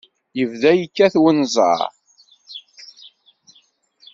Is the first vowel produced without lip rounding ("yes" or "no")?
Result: yes